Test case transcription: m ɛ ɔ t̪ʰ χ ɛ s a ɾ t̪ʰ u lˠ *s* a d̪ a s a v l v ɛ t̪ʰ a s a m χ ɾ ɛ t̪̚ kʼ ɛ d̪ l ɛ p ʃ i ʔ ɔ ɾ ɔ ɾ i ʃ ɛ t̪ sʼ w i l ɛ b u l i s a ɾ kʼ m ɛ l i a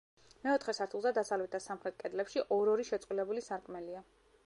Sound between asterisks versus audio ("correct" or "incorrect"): incorrect